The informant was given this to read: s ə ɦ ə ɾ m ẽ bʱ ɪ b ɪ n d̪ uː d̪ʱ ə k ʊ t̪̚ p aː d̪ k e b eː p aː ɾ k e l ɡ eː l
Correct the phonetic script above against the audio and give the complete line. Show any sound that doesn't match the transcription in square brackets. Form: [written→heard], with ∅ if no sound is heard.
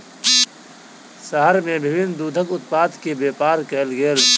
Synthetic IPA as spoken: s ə ɦ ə ɾ m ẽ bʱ ɪ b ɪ n d̪ uː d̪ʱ ə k ʊ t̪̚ p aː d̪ k e b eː p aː ɾ k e l ɡ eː l